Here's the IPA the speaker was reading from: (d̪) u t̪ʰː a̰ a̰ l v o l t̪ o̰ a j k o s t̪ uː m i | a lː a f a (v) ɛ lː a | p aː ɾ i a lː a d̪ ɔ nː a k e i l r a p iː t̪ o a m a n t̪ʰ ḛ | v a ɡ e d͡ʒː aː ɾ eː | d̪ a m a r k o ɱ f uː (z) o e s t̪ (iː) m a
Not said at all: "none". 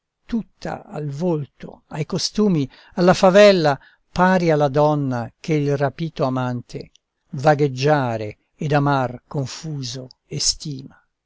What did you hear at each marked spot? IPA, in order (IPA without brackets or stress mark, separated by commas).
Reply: t̪, v, z, iː